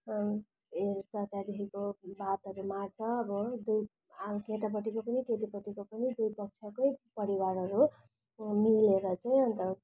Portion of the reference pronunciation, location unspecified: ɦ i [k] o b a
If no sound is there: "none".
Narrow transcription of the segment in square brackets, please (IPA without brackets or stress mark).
k